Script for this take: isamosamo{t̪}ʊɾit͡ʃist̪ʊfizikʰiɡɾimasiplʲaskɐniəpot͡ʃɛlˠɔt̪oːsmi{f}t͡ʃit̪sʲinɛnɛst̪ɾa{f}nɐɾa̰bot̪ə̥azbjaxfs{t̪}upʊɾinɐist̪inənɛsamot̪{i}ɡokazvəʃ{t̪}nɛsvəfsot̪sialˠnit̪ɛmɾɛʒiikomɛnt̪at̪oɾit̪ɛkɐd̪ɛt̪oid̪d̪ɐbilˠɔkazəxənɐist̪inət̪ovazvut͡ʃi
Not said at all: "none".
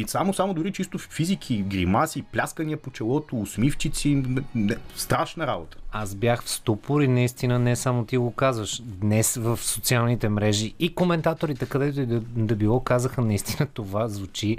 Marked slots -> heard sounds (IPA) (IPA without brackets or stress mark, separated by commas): d̪, f, ʃ, t̪, i, d̪